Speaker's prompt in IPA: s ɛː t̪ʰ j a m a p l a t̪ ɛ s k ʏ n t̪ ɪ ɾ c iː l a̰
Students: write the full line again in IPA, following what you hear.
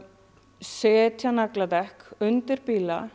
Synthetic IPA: s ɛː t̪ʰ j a n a k l a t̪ ɛ h k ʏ n t̪ ɪ ɾ p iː l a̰